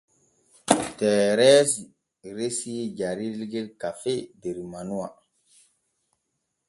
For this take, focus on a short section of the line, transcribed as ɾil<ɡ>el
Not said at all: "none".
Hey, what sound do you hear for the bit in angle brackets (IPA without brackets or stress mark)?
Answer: ɡ